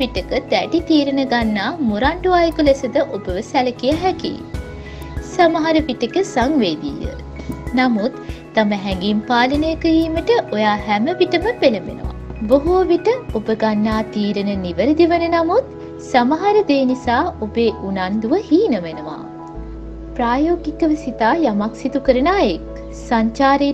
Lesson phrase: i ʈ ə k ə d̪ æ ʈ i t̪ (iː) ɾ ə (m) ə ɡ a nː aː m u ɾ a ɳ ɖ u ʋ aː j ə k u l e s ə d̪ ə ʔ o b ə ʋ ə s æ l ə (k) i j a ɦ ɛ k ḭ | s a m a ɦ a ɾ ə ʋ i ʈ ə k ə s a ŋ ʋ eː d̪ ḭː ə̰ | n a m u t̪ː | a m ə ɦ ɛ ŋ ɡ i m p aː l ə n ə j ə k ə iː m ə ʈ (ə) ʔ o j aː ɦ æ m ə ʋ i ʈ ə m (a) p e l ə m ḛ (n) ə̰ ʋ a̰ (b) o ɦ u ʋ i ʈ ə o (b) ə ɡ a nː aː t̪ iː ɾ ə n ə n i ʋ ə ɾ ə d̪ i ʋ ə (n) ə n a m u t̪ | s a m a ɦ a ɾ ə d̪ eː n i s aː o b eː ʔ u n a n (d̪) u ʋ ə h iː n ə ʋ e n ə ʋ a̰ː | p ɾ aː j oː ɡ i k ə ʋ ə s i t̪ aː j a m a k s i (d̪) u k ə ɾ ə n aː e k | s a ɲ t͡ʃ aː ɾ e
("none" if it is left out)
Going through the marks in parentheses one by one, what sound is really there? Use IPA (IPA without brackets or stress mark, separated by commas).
iː, n, k, ə, ə, n, b, b, n, d̪, t̪